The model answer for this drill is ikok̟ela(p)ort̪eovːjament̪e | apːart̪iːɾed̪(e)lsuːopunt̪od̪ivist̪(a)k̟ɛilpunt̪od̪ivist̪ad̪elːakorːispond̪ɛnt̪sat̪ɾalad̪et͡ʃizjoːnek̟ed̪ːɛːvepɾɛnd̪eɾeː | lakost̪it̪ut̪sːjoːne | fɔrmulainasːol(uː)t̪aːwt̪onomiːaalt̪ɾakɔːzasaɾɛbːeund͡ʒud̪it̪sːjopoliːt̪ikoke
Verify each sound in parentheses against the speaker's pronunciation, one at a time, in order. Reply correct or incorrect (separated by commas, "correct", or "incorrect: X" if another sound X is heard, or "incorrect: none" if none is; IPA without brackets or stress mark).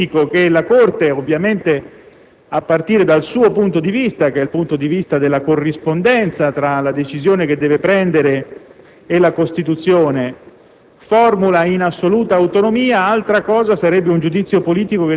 incorrect: k, incorrect: a, correct, correct